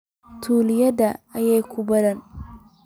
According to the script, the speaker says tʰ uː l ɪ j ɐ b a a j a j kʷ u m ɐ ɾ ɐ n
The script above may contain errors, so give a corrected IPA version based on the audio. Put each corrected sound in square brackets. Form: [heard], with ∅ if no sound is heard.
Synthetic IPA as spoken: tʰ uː l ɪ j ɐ [d] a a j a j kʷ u [b] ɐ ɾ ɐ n